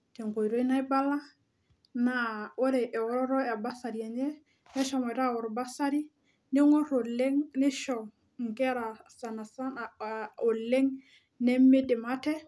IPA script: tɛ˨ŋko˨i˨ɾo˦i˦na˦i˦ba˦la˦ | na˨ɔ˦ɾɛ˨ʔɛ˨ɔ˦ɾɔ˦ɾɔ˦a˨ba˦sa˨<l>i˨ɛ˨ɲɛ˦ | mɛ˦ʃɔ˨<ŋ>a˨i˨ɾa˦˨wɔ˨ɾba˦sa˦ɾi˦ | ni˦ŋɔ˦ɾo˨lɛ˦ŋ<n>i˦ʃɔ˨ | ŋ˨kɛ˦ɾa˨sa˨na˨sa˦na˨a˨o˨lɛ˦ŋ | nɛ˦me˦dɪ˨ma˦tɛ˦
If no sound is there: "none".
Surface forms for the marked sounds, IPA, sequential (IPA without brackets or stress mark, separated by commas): ɾ, m, n